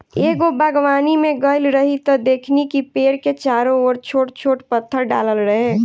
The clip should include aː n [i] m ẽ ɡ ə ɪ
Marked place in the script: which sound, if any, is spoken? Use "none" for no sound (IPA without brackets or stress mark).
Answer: i